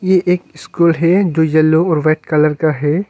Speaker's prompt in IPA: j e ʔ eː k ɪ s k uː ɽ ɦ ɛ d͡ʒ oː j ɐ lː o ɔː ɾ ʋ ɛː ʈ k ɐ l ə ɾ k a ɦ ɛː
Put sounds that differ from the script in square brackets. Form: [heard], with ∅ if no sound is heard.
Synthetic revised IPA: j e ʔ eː k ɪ s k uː [l] ɦ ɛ d͡ʒ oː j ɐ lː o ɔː ɾ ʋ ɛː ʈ k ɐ l ə ɾ k a ɦ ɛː